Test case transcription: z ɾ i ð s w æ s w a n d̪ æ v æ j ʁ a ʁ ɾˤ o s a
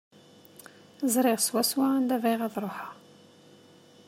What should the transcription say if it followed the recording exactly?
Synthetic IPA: z ɾ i ʁ s w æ s w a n d̪ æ v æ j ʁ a ð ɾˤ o ħ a

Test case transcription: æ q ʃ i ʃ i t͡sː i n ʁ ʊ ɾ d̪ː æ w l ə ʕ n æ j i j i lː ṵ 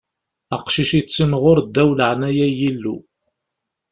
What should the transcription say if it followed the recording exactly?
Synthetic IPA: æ q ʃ i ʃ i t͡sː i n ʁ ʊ ɾ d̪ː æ w l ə ʕ n æ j æ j i lː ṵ

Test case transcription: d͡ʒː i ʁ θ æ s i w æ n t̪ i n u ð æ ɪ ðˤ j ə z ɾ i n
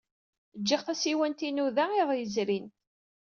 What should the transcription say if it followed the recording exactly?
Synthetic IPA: d͡ʒː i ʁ θ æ s i w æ n t̪ i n u ð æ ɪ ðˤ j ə z ɾ i n

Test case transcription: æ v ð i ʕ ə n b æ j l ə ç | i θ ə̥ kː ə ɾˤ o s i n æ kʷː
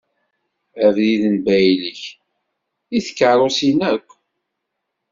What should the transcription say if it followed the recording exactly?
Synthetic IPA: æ v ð i ð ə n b æ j l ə ç | i θ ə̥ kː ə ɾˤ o s i n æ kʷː

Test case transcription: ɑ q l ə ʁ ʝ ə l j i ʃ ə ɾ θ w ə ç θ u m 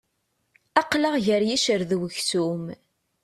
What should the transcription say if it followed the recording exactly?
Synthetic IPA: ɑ q l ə ʁ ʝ ə ɾ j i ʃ ə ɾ ð w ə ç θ u m

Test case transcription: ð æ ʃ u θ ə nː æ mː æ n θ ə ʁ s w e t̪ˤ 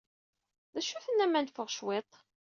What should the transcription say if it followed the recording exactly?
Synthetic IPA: ð æ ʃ u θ ə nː æ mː æ n f ə ʁ ʃ w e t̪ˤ

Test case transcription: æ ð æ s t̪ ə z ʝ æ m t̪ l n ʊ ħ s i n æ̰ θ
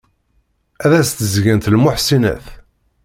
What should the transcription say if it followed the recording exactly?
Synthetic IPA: æ ð æ s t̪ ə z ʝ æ n t̪ l m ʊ ħ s i n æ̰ θ

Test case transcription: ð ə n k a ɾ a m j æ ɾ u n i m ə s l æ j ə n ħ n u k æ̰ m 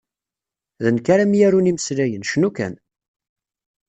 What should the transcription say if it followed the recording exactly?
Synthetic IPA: ð ə n k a ɾ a m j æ ɾ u n i m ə s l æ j ə n ʃ n u k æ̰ n

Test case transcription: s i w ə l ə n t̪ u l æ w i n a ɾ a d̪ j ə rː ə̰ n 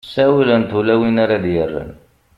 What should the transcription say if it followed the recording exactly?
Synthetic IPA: s æ w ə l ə n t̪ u l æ w i n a ɾ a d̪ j ə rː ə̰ n

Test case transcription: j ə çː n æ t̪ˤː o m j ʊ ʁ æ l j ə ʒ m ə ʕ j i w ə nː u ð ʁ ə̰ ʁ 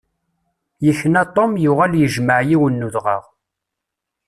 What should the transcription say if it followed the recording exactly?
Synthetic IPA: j ə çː n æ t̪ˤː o m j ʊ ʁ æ l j ə ʒ m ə ʕ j i w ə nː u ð ʁ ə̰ ʁ

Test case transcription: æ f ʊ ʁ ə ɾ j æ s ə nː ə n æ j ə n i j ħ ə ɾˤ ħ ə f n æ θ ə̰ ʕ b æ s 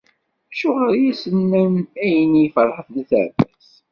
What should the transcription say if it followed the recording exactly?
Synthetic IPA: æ ʃ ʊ ʁ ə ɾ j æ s ə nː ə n æ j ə n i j f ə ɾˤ ħ ə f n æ θ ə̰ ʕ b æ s

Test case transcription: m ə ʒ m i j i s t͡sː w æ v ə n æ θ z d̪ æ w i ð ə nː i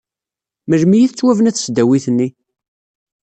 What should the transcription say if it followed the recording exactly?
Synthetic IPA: m ə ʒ m i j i θ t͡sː w æ v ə n æ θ s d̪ æ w i θ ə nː i

